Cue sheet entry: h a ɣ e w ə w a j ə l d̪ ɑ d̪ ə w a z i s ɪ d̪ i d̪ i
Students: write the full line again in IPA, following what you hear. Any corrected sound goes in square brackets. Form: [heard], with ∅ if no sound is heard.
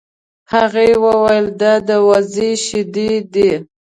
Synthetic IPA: h a ɣ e w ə w a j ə l d̪ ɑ d̪ ə w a z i [ʃ] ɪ d̪ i d̪ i